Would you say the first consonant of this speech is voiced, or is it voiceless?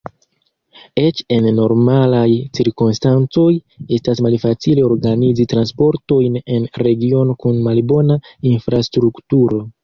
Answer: voiceless